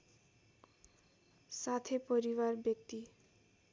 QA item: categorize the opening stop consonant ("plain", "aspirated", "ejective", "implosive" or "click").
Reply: aspirated